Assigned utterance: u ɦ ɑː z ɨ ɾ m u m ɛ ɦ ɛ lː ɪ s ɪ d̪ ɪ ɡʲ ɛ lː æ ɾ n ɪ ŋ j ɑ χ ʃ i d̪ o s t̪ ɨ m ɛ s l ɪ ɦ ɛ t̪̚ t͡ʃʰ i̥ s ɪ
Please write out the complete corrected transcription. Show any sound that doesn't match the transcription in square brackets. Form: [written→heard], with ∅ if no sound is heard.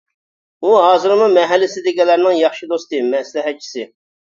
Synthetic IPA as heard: u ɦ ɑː z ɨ ɾ m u m ɛ ɦ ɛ lː ɪ s ɪ d̪ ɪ ɡʲ ɛ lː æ ɾ n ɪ ŋ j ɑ χ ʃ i d̪ o s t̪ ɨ m ɛ s l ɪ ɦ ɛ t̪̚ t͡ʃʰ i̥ s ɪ